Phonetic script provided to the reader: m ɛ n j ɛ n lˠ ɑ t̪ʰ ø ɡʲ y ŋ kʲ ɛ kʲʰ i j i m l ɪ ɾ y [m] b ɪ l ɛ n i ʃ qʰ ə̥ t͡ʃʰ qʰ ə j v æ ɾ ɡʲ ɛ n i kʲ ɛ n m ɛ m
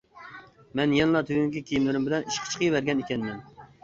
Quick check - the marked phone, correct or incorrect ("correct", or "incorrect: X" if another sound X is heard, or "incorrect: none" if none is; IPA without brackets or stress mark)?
correct